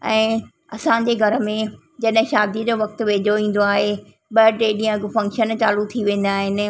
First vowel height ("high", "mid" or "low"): mid